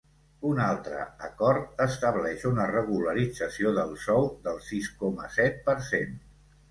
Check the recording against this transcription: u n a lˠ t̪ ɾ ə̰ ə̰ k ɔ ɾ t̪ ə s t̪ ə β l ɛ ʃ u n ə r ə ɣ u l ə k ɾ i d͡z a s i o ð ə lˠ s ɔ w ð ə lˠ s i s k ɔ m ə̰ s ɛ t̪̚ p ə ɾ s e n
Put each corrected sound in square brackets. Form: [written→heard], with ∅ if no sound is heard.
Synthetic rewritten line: u n a lˠ t̪ ɾ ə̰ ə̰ k ɔ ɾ t̪ ə s t̪ ə β l ɛ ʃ u n ə r ə ɣ u l ə [k→∅] ɾ i d͡z [a→ə] s i o ð ə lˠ s ɔ w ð ə lˠ s i s k ɔ m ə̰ s ɛ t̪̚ p ə ɾ s e n